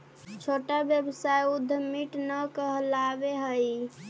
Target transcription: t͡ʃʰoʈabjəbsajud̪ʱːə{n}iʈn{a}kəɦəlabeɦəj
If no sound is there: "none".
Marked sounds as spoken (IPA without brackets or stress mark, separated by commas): m, ə